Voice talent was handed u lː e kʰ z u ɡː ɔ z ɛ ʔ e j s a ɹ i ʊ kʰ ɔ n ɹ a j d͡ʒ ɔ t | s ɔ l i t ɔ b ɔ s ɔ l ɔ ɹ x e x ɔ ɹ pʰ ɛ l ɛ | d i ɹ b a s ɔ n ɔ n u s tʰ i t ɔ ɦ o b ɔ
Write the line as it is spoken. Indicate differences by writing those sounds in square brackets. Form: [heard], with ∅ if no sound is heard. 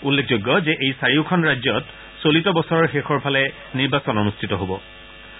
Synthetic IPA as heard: u lː e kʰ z [o] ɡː ɔ z ɛ ʔ e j s a ɹ i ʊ kʰ ɔ n ɹ a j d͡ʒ ɔ t | s [o] l i t ɔ b ɔ s ɔ [ɹ] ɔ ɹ x e x ɔ ɹ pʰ [a] l ɛ | [n] i ɹ b a s ɔ n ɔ n u s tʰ i t ɔ ɦ o b ɔ